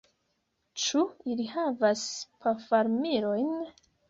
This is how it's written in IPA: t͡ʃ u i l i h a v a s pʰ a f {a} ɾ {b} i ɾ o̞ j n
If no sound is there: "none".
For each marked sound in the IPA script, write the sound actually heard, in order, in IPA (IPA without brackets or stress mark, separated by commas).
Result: a, m